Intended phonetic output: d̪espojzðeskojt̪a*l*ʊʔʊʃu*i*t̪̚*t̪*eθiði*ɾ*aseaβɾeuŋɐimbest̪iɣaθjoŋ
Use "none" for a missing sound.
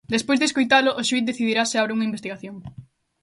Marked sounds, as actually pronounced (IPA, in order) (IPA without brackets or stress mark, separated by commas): l, i, d̪, ɾ